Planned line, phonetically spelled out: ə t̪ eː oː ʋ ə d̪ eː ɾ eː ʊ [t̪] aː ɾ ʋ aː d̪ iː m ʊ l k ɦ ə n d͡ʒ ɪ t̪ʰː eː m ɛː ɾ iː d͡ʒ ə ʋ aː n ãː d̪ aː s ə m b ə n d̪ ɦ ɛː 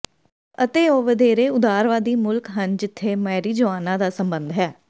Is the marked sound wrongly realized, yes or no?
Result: yes